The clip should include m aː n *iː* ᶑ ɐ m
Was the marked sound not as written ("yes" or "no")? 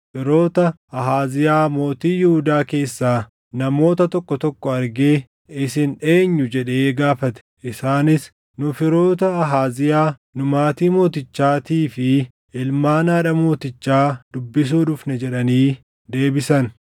yes